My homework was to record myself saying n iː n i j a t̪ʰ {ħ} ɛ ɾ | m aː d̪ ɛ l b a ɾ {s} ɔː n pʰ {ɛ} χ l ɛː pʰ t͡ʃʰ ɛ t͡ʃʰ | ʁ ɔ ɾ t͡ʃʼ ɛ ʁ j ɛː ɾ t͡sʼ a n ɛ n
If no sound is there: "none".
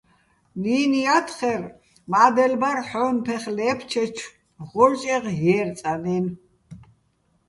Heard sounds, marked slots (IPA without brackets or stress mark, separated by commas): χ, ħ, ɛ